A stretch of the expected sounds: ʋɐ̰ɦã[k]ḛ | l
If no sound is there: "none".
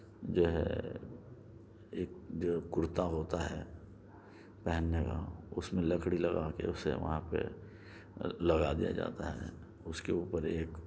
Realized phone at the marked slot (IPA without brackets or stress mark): p